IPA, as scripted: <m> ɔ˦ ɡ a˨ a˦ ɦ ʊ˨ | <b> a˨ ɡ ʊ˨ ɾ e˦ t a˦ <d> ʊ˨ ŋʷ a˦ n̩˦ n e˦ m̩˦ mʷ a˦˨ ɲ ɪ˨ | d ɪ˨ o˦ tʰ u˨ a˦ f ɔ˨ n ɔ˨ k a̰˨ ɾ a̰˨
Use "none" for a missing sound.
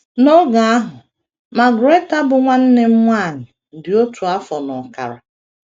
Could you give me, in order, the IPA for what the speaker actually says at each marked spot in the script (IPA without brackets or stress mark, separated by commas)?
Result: n, m, b